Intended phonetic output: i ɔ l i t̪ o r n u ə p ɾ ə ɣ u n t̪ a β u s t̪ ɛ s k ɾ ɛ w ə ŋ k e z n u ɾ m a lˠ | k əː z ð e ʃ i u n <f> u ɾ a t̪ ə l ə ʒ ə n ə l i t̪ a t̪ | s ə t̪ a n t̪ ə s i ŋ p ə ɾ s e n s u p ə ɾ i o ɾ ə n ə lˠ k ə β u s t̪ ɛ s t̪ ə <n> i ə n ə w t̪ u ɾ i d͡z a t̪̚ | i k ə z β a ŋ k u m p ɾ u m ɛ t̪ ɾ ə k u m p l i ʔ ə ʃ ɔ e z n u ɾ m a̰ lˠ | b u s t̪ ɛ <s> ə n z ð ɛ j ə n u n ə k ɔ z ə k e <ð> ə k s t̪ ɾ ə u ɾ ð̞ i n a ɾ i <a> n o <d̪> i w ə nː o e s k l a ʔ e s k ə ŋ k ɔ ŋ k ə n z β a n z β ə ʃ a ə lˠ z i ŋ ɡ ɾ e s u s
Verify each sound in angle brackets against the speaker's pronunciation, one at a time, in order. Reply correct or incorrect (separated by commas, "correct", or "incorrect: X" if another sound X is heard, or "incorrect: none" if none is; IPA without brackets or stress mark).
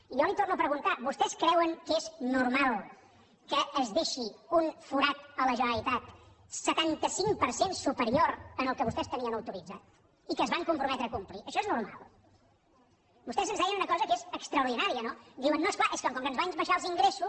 correct, correct, incorrect: z, incorrect: z, incorrect: ə, correct